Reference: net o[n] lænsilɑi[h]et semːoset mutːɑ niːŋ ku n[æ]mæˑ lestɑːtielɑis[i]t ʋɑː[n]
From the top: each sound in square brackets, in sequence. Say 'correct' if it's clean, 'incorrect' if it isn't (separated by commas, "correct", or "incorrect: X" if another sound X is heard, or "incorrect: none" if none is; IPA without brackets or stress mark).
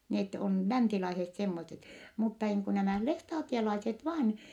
correct, incorrect: s, correct, incorrect: e, correct